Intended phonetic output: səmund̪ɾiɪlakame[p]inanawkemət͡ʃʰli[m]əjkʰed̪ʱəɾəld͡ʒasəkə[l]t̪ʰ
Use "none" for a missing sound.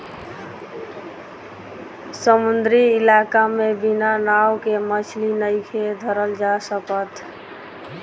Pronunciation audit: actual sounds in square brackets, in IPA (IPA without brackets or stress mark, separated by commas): b, n, none